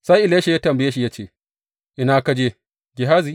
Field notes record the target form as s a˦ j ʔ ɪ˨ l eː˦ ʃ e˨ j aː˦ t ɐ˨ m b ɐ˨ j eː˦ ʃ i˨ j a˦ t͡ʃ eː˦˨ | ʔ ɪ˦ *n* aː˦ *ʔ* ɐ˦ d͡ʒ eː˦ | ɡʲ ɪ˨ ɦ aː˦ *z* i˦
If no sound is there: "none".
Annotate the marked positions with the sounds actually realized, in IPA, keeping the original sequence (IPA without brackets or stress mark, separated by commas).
n, k, z